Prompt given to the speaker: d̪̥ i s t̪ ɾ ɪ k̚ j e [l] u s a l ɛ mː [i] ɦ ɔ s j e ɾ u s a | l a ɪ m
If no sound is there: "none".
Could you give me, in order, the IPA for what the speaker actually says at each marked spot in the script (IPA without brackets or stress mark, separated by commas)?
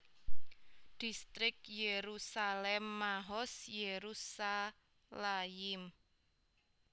ɾ, a